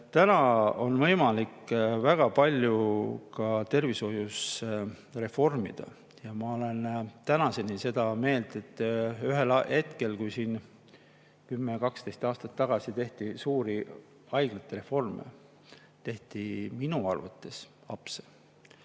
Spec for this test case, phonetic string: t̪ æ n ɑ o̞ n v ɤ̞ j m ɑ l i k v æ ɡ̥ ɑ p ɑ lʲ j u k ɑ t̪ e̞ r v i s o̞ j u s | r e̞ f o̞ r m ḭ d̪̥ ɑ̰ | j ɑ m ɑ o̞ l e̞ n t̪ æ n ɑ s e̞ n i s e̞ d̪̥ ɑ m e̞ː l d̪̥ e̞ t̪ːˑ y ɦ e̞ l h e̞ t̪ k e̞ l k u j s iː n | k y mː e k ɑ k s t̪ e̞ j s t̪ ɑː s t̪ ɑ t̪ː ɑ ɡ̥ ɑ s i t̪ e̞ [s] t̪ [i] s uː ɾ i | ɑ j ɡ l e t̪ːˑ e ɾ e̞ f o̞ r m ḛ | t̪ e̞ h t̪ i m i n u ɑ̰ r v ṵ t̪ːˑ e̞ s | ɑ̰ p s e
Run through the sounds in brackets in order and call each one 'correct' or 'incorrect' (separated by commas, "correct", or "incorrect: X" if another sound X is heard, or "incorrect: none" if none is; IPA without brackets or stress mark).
incorrect: h, correct